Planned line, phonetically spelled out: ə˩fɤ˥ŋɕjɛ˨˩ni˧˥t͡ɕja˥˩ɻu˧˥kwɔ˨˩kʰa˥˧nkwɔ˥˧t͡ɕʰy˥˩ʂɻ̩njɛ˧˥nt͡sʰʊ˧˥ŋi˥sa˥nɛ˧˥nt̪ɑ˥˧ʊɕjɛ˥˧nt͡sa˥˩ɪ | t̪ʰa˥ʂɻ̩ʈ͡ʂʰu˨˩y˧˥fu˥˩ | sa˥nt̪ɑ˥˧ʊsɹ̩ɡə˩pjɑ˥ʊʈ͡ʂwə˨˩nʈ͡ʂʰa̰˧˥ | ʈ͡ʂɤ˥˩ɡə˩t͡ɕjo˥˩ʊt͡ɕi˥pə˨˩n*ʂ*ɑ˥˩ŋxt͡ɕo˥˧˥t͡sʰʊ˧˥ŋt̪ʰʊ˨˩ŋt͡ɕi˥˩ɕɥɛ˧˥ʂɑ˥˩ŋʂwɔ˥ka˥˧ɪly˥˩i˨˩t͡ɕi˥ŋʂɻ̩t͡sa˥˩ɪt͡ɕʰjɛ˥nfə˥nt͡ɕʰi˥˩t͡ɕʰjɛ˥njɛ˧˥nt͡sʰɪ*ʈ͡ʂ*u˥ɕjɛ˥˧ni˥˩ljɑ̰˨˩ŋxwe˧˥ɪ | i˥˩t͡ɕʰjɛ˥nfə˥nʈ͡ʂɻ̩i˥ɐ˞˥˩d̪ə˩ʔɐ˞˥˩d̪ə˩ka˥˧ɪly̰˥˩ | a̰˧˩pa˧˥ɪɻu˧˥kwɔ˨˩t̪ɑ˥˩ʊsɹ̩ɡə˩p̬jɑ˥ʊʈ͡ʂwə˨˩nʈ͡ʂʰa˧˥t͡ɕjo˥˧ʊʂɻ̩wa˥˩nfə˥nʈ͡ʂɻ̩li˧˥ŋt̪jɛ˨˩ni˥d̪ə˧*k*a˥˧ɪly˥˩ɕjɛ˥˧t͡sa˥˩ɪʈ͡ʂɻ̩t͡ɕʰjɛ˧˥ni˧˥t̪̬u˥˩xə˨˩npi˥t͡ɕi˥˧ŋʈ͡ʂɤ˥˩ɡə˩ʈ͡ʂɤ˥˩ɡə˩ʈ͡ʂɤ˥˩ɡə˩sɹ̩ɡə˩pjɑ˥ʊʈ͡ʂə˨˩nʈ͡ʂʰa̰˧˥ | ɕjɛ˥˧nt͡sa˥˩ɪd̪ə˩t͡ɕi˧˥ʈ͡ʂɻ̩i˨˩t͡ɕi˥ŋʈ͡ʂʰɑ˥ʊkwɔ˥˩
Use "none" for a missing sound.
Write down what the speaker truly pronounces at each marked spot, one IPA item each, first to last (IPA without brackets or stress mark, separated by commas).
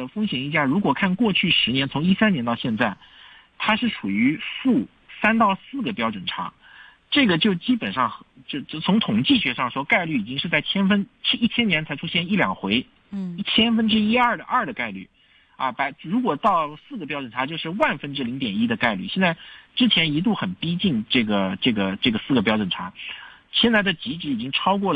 ʂ, ʈ͡ʂʰ, k